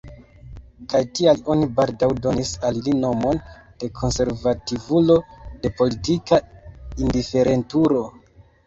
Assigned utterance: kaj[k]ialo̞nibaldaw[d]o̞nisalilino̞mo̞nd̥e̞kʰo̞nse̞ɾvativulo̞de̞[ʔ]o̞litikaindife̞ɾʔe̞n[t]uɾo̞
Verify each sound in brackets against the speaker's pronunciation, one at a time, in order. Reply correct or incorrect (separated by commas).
incorrect, correct, incorrect, correct